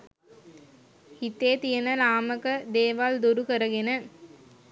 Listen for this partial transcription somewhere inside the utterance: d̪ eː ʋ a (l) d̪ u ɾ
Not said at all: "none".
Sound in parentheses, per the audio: l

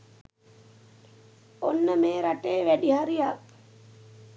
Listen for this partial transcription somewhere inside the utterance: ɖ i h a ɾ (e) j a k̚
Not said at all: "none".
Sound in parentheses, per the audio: i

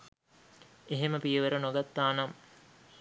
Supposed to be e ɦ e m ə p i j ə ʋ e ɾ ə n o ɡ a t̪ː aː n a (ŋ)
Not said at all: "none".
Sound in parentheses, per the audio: m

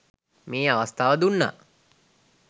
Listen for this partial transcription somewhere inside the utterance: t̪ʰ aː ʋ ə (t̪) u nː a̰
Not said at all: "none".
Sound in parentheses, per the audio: d̪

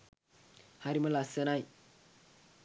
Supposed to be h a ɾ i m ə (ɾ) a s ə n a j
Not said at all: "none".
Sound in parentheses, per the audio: l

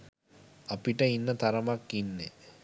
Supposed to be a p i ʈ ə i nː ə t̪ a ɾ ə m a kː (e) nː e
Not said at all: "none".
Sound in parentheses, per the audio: i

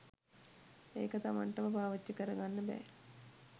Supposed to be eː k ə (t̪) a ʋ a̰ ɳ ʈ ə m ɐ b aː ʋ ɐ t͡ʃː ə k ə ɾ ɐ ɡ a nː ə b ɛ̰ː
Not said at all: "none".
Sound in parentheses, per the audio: t̪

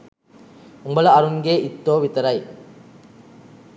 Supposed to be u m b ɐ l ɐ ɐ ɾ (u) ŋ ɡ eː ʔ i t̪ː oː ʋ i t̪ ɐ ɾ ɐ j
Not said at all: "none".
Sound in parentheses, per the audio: u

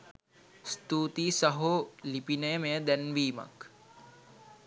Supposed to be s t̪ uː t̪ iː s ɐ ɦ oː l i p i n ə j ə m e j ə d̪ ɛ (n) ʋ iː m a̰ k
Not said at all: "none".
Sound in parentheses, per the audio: n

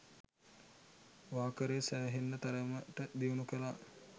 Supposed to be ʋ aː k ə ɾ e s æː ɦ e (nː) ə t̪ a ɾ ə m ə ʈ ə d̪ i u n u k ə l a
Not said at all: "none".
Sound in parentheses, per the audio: nː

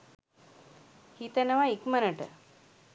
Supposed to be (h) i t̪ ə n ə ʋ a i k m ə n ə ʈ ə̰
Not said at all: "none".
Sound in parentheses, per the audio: h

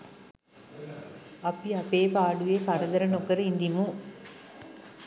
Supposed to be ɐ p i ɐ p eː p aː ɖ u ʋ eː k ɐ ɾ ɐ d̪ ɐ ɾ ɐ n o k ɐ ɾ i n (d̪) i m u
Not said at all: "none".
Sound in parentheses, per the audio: d̪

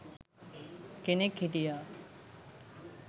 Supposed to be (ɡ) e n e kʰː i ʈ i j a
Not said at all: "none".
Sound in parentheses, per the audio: k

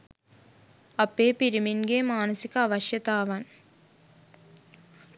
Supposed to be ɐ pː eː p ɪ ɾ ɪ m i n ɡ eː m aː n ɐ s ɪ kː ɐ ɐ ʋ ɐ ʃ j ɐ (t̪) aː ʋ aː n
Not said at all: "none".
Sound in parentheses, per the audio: t̪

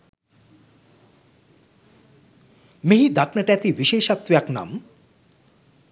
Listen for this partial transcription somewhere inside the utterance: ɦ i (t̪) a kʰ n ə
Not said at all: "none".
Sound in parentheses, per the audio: d̪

